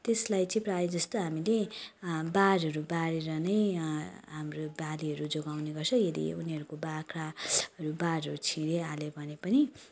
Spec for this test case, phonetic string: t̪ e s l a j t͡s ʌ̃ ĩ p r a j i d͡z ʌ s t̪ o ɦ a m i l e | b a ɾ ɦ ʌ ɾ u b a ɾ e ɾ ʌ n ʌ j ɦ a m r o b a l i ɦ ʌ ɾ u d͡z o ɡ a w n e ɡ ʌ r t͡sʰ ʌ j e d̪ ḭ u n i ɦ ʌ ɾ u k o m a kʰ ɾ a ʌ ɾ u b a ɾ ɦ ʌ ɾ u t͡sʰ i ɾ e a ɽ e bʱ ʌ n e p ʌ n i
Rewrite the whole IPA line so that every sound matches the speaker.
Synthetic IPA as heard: t̪ e s l a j t͡s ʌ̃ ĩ p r a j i d͡z ʌ s t̪ o ɦ a m i l e | b a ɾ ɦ ʌ ɾ u b a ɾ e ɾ ʌ n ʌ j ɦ a m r o b a l i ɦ ʌ ɾ u d͡z o ɡ a w n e ɡ ʌ r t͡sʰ ʌ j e d̪ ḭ u n i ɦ ʌ ɾ u k o b a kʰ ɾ a ʌ ɾ u b a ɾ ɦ ʌ ɾ u t͡sʰ i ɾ e a l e bʱ ʌ n e p ʌ n i